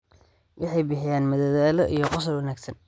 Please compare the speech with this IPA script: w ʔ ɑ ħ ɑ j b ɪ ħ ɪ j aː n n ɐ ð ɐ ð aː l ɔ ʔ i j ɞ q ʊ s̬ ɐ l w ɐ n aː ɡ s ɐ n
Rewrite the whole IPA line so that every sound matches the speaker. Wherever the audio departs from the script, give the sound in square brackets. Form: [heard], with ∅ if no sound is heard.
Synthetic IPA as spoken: w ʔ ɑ ħ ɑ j b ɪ ħ ɪ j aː n [m] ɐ ð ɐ ð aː l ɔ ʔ i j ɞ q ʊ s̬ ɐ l w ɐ n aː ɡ s ɐ n

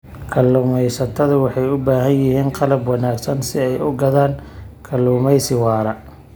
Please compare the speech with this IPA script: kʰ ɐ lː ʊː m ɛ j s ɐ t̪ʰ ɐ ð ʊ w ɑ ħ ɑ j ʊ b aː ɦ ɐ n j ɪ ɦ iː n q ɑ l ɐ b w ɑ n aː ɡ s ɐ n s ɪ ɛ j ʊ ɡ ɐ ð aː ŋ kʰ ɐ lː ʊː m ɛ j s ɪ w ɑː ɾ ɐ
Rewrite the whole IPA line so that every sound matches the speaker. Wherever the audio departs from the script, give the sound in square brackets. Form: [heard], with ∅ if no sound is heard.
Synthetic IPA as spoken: kʰ ɐ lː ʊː m ɛ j s ɐ t̪ʰ ɐ ð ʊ w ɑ ħ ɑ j ʊ b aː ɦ ɐ n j ɪ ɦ iː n q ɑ l ɐ b w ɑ n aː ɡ s ɐ n s ɪ ɛ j ʊ ɡ ɐ ð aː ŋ kʰ ɐ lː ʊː m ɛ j s ɪ w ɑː ɾ ɐ

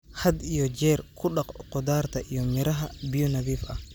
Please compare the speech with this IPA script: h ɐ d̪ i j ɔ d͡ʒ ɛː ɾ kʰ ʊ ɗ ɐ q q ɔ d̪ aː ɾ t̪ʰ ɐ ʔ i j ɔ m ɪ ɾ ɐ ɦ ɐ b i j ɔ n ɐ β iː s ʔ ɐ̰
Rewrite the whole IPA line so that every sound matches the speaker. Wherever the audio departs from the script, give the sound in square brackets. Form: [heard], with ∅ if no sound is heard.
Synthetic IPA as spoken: h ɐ d̪ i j ɔ d͡ʒ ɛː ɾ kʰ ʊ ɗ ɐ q q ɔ d̪ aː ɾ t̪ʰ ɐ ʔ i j ɔ m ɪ ɾ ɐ ɦ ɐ b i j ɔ n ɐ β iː [f] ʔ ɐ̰

